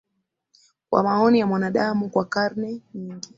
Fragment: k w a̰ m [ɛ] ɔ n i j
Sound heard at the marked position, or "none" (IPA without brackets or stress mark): a